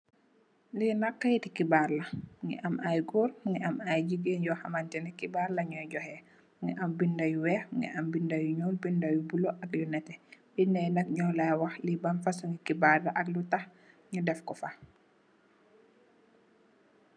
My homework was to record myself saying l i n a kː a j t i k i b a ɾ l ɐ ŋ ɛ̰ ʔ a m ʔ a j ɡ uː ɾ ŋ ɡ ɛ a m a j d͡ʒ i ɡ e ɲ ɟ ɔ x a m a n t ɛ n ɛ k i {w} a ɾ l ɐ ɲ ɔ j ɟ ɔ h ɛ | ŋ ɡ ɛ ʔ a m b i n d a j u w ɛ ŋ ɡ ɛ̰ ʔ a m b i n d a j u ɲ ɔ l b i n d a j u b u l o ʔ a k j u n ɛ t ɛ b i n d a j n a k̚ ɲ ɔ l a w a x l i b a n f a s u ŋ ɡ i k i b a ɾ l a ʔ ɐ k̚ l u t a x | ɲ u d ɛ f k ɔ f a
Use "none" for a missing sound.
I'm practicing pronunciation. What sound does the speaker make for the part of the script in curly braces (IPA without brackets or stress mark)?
b